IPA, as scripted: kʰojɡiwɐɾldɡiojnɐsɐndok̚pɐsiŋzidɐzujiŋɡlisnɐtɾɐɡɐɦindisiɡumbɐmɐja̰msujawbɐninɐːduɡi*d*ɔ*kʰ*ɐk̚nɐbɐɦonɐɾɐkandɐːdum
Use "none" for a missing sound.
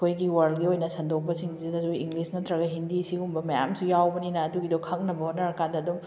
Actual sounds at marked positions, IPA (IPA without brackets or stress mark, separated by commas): d, kʰ